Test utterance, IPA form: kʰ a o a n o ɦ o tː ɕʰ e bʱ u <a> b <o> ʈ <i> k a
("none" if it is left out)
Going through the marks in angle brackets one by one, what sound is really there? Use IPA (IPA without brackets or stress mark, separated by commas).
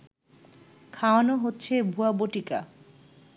a, o, i